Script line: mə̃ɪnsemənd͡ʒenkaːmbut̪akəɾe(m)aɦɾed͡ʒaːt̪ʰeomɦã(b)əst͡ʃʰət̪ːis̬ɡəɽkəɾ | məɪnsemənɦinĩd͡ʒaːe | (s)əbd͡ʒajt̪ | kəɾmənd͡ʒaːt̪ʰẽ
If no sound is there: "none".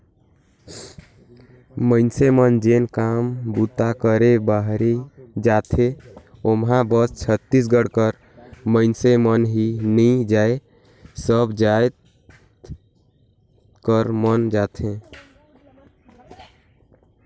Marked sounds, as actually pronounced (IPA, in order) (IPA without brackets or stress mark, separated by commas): b, b, s